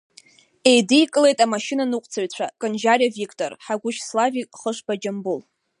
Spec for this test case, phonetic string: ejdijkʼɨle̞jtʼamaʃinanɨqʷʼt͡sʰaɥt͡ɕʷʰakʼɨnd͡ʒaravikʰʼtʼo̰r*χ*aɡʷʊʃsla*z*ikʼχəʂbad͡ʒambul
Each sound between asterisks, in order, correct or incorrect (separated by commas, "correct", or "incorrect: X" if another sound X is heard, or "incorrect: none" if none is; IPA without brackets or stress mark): incorrect: ħ, incorrect: v